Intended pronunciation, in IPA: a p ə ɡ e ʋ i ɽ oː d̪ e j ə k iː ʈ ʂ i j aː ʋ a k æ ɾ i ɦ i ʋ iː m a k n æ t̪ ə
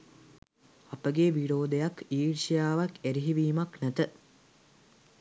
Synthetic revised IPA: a p ə ɡ e ʋ i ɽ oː d̪ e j a k iː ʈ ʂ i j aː ʋ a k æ ɾ i ɦ i ʋ iː m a k n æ t̪ ə